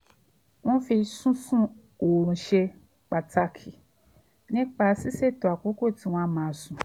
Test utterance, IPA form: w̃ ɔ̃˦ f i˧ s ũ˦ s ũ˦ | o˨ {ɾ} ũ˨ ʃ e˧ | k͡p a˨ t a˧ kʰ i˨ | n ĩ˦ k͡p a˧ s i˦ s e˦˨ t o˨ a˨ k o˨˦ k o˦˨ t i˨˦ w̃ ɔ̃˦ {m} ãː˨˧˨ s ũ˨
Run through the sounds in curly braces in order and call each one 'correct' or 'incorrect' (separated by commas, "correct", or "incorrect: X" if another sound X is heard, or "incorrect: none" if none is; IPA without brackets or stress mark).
correct, correct